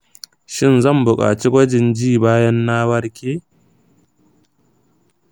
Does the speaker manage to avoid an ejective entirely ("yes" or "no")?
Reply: no